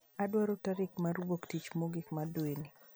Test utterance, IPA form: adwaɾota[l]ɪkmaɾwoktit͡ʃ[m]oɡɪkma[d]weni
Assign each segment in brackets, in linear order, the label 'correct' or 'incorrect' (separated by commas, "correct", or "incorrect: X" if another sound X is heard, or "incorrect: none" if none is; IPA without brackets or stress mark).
incorrect: ɾ, correct, correct